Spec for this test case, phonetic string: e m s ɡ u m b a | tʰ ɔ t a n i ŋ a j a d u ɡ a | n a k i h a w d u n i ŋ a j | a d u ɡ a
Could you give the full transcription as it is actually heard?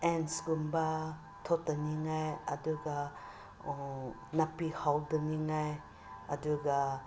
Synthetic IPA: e n s ɡ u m b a | tʰ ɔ t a n i ŋ a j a d u ɡ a | n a p i h a w d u n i ŋ a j | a d u ɡ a